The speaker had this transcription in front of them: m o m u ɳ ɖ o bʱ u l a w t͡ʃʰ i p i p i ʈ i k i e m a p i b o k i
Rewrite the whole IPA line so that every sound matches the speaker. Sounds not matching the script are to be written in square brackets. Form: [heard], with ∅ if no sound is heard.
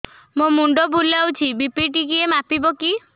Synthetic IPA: m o m u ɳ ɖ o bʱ u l a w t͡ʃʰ i [b] i p i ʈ i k i e m a p i b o k i